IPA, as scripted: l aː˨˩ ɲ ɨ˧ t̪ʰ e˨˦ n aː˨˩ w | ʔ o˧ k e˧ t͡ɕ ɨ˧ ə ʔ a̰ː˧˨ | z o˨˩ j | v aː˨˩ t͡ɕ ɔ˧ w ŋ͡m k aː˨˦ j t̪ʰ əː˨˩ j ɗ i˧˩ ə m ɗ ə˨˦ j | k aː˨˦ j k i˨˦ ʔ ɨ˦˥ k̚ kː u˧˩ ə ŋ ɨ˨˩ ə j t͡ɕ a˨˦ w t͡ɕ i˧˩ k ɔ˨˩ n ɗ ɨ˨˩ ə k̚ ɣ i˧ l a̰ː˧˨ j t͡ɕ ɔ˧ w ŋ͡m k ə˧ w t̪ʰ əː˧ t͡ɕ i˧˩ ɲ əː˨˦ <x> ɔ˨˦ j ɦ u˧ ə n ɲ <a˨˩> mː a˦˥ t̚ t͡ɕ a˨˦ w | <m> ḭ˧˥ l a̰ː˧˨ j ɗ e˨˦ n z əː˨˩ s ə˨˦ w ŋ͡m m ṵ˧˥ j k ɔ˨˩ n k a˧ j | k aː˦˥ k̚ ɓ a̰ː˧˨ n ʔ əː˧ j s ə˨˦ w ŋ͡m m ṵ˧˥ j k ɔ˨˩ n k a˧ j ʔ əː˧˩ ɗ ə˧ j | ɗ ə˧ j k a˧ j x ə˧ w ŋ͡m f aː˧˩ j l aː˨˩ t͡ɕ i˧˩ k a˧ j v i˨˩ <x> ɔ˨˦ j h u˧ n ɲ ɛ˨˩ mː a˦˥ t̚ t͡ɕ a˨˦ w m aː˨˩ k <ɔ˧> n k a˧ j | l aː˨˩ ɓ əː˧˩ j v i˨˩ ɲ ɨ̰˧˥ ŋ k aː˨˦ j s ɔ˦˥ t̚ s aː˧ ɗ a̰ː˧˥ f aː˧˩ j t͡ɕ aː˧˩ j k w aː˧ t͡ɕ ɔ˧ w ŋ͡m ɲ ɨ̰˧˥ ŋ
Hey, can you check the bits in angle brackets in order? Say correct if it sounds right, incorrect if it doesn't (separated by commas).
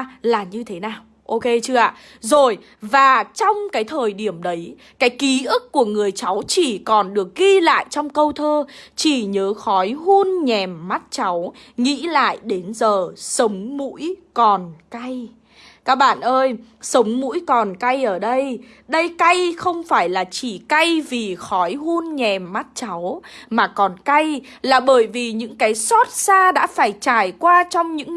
correct, incorrect, incorrect, correct, incorrect